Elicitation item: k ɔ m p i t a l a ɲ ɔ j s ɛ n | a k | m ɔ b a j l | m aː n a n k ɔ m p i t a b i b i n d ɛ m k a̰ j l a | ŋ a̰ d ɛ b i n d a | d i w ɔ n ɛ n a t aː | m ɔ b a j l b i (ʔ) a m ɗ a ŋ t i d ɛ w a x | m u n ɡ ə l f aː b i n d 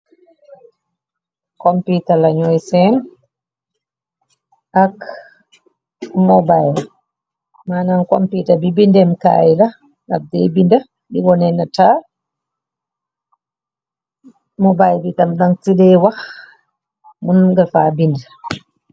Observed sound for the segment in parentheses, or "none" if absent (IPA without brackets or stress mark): t